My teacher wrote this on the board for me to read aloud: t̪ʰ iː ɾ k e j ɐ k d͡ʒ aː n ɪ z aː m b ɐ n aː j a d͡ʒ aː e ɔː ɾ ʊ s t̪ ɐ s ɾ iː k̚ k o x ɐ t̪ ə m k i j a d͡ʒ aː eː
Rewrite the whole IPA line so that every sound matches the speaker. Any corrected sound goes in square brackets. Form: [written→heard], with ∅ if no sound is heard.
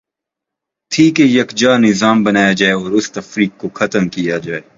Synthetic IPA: t̪ʰ iː [ɾ→∅] k e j ɐ k d͡ʒ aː n ɪ z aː m b ɐ n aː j a d͡ʒ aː e ɔː ɾ ʊ s t̪ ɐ [s→f] ɾ iː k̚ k o x ɐ t̪ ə m k i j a d͡ʒ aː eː